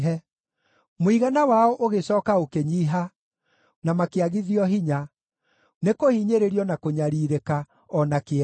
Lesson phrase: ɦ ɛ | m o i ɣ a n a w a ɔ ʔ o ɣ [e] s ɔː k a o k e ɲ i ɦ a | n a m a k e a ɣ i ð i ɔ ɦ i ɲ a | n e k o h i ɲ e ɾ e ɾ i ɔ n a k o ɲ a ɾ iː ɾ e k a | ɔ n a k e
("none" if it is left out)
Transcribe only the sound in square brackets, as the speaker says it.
e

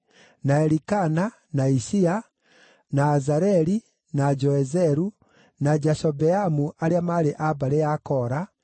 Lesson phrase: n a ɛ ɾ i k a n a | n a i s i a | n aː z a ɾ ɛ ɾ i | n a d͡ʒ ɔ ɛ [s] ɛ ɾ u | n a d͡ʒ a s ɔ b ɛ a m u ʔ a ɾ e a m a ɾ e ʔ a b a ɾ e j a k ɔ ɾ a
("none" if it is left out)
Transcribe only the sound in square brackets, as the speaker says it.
z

